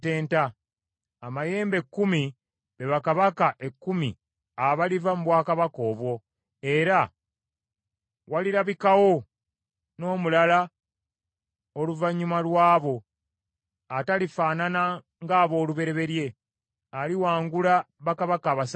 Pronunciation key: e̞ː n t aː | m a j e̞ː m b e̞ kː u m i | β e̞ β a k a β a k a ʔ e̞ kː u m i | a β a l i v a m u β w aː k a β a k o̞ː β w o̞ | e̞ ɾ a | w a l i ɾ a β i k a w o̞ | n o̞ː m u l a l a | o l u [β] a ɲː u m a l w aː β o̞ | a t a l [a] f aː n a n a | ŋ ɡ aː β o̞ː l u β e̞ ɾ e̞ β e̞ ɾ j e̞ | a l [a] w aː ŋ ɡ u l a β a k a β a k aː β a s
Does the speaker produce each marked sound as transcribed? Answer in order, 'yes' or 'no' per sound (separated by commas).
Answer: no, no, no